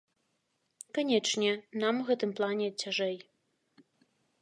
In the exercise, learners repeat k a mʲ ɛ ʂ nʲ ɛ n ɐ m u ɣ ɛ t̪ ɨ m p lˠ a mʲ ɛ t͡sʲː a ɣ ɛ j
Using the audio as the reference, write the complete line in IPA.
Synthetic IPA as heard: k a nʲ ɛ t͡ʂ nʲ ɛ n a m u ɣ ɛ t̪ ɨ m p lˠ a nʲ ɛ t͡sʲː a ʐ ɛ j